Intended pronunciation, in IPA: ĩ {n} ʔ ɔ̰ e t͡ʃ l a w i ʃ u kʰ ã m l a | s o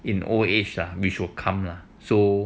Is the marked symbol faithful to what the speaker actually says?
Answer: yes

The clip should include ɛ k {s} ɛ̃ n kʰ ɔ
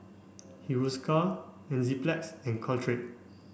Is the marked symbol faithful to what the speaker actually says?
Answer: yes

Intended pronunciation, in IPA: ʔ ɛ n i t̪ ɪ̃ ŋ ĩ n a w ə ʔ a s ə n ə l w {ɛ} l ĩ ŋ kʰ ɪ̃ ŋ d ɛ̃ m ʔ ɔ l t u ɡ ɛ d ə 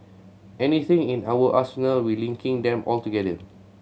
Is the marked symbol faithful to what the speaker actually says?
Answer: no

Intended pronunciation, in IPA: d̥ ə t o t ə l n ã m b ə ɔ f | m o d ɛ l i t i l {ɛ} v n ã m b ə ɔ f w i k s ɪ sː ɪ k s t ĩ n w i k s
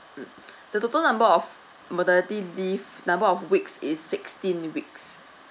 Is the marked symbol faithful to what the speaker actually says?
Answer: no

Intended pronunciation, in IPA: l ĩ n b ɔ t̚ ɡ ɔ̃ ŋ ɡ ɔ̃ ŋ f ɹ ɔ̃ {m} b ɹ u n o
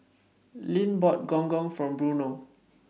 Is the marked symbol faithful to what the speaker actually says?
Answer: yes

